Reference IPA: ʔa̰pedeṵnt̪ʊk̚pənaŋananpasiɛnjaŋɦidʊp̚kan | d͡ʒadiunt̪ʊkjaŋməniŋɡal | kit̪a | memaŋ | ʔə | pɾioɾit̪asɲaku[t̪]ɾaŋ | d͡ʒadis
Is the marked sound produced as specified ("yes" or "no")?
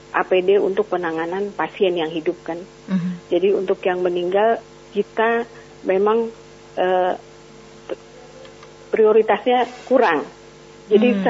no